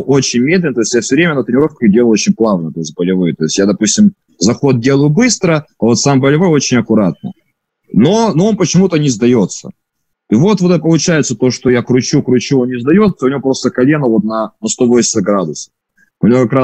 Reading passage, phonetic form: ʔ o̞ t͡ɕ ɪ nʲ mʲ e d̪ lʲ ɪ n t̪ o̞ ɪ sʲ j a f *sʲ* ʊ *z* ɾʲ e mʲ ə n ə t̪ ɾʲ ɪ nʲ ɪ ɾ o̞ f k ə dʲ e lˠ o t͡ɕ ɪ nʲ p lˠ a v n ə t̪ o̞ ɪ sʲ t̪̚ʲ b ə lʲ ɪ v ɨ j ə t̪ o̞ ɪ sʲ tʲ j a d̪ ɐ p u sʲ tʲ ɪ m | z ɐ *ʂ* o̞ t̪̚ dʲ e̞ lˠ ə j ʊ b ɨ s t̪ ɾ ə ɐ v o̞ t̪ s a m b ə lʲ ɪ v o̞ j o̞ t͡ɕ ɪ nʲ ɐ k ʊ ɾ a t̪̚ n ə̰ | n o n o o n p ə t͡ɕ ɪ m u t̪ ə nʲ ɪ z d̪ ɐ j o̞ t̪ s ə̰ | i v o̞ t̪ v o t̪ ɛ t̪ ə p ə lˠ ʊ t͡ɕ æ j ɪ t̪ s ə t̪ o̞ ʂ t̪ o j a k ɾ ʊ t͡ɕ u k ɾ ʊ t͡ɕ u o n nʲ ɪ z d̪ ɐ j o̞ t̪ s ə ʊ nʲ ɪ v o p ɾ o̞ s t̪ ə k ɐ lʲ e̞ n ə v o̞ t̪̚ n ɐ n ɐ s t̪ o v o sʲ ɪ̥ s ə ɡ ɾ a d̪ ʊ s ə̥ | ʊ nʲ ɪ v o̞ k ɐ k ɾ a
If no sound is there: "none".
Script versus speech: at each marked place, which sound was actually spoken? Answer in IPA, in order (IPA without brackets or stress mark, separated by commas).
sʲ, v, x